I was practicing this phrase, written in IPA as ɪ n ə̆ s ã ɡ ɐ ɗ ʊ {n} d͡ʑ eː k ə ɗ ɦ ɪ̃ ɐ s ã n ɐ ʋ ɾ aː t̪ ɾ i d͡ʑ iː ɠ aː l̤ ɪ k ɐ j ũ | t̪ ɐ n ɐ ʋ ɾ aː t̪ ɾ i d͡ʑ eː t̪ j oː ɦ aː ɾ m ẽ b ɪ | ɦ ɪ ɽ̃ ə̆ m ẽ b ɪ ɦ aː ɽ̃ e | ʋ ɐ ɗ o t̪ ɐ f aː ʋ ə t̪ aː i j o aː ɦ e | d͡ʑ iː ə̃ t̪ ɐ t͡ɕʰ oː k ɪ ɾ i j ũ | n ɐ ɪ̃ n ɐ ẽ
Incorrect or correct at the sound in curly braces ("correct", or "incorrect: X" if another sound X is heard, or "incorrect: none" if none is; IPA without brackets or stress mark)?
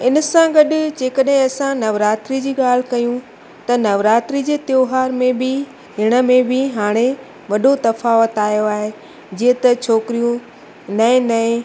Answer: incorrect: none